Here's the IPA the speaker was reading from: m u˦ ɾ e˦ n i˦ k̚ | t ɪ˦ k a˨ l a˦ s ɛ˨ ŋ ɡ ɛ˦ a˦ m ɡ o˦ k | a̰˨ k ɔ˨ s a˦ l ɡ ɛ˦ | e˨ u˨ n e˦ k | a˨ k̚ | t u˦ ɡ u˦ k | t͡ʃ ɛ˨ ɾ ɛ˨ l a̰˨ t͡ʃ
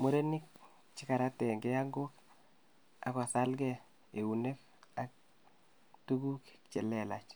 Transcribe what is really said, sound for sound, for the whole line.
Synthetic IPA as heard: m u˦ ɾ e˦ n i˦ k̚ | t͡ʃ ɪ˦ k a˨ ɾ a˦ t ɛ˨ ŋ ɡ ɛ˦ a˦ ŋ ɡ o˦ k | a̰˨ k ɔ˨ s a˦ l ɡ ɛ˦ | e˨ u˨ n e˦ k | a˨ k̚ | t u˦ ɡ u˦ k | t͡ʃ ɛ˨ l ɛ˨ l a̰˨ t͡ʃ